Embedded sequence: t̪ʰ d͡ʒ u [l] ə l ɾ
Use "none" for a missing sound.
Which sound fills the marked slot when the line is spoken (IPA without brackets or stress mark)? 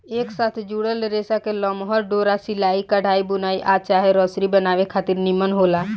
ɽ